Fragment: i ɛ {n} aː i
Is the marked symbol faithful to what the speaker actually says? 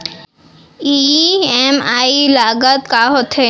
no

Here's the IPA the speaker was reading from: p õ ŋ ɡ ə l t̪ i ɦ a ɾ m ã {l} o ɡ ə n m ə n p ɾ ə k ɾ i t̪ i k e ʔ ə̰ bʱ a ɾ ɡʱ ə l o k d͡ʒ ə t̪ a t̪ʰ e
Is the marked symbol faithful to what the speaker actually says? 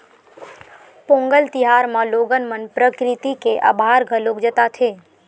yes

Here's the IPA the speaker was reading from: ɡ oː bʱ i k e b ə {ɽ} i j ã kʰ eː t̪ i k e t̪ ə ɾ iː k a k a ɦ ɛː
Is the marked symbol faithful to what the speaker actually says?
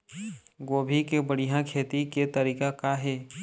yes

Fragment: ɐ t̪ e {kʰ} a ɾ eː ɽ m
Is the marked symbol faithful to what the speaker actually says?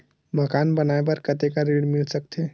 no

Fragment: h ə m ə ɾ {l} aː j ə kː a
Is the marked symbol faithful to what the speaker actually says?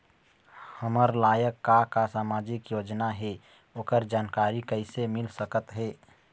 yes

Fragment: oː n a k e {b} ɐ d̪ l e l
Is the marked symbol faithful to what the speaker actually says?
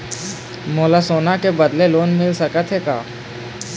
yes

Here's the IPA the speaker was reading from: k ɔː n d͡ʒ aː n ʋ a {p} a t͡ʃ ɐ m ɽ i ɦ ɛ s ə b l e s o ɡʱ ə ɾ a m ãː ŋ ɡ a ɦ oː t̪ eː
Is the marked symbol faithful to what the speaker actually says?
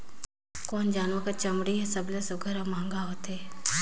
no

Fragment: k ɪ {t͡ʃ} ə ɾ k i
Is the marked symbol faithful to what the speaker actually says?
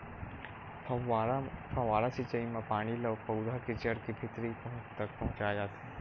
yes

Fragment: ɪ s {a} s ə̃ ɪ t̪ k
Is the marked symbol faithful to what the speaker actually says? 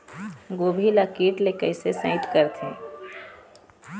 no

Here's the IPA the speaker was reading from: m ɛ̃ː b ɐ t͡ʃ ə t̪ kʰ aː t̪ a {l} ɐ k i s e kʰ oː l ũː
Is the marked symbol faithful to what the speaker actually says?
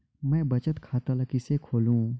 yes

